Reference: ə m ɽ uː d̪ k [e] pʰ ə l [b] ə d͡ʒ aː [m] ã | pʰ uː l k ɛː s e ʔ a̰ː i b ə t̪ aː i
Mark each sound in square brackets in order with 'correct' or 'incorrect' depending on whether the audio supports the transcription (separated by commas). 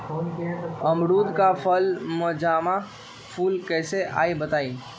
incorrect, incorrect, correct